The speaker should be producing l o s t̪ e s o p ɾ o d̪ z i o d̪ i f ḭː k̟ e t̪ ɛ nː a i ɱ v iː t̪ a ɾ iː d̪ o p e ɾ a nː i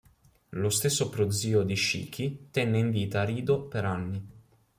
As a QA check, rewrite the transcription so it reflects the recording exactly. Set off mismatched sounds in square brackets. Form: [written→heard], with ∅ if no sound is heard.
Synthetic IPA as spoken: l o s t̪ e [s→sː] o p ɾ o d̪ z [i→iː] o d̪ i [f→ʃ] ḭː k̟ [e→i] t̪ ɛ nː [a→e] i ɱ v iː t̪ a ɾ iː d̪ o p e ɾ a nː i